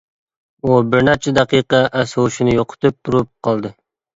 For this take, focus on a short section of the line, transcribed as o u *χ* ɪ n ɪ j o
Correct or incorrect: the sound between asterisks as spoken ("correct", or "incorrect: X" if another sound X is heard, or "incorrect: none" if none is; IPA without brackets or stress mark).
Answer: incorrect: ʃ